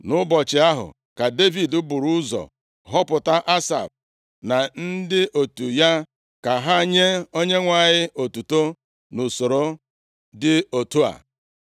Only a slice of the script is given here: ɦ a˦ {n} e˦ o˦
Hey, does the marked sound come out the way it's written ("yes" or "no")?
no